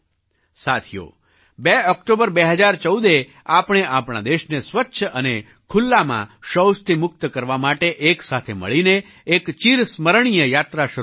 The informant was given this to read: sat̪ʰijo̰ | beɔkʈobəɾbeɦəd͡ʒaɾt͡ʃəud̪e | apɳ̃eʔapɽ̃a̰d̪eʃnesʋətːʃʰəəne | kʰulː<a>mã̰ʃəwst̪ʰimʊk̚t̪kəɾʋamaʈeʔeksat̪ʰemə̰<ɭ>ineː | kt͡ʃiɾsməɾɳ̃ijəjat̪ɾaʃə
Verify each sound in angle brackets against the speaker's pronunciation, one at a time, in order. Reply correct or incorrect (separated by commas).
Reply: correct, correct